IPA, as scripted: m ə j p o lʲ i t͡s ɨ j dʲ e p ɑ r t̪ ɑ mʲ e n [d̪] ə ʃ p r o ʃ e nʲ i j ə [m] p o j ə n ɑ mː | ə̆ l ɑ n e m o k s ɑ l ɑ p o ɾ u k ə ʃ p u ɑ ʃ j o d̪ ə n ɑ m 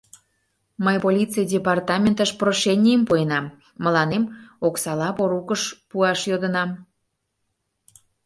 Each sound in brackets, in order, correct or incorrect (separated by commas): incorrect, correct